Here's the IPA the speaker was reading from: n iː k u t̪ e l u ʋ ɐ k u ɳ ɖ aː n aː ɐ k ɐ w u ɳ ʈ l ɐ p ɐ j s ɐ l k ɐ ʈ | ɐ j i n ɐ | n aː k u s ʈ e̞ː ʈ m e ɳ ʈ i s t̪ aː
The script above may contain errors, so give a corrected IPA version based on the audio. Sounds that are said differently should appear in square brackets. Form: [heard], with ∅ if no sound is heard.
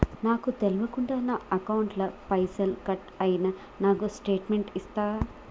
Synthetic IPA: n [aː] k u t̪ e l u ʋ ɐ k u ɳ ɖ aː n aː ɐ k ɐ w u ɳ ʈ l ɐ p ɐ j s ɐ l k ɐ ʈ | ɐ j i n ɐ | n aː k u s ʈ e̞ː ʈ m e ɳ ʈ i s t̪ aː